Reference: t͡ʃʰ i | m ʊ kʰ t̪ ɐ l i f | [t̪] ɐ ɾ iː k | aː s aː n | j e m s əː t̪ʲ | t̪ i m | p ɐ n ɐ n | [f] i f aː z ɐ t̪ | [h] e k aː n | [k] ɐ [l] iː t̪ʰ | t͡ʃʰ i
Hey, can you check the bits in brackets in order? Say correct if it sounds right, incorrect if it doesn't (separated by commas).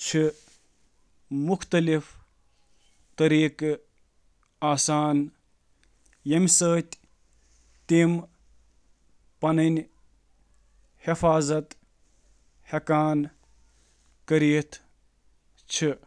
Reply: correct, incorrect, correct, correct, incorrect